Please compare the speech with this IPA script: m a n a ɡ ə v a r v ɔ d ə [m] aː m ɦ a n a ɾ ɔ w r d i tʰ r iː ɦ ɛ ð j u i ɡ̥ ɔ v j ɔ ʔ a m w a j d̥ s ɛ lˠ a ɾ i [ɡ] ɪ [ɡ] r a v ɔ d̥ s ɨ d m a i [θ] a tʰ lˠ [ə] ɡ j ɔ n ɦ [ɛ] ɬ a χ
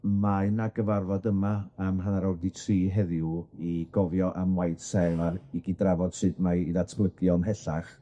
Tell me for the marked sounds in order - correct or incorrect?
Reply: correct, correct, incorrect, incorrect, correct, correct

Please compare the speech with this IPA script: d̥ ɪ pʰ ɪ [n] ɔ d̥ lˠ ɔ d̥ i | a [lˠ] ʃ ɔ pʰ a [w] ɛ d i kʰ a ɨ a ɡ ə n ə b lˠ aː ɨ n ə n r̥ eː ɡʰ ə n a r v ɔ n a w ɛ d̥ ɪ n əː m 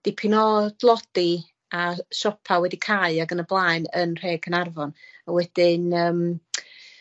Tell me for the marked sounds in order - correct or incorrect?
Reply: correct, incorrect, correct

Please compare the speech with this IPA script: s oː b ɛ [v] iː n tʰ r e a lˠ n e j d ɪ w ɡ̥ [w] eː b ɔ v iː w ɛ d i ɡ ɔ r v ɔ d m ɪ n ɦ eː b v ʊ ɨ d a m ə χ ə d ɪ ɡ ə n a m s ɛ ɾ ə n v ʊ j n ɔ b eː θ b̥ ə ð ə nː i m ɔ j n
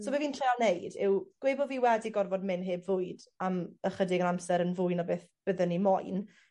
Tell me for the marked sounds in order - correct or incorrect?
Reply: correct, correct

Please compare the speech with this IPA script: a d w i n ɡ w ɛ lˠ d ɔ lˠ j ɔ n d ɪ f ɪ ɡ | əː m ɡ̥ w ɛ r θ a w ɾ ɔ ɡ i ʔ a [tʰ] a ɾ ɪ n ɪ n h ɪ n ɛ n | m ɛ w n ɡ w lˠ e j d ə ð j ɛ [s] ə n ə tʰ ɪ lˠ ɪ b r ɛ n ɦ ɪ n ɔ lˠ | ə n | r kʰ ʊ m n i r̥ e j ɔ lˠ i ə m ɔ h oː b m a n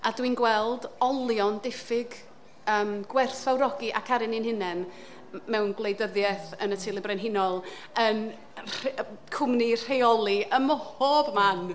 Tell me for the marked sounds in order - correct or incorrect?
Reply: incorrect, incorrect

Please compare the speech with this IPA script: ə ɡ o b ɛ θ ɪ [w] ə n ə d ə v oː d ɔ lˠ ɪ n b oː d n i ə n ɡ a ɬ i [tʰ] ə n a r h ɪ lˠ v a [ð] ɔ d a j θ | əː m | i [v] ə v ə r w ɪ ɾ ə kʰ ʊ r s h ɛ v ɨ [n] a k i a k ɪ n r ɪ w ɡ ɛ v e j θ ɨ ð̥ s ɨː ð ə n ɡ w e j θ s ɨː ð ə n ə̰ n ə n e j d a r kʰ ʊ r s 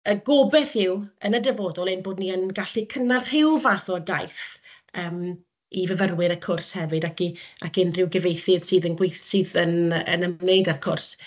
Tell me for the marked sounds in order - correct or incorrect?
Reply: correct, incorrect, incorrect, correct, incorrect

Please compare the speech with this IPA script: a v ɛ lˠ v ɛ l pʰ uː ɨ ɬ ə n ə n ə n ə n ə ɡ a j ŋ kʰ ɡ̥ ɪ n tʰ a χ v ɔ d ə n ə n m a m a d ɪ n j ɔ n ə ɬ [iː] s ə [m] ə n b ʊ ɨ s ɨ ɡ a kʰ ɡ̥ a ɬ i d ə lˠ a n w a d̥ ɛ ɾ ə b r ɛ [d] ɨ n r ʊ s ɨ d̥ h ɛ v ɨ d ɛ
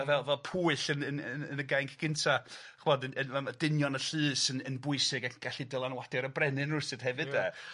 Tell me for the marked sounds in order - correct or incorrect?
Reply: incorrect, incorrect, incorrect

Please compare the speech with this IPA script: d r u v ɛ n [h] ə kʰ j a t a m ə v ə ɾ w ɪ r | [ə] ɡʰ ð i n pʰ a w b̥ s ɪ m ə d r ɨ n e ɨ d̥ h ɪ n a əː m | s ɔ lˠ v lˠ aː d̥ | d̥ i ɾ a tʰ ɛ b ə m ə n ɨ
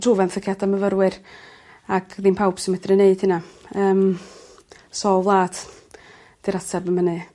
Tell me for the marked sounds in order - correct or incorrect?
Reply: incorrect, incorrect

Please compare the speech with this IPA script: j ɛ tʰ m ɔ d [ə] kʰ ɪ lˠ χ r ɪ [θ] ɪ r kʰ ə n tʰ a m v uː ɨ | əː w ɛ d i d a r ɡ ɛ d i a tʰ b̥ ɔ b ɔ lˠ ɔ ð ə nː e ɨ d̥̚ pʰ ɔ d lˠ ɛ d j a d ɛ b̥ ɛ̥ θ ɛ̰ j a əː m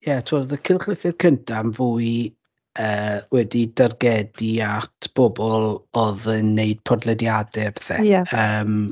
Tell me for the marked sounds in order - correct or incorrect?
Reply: correct, correct

